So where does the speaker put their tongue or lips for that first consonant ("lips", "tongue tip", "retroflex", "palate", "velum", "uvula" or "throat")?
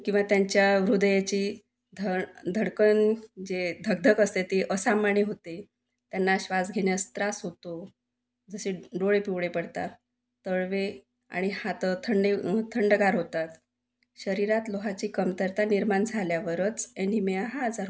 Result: velum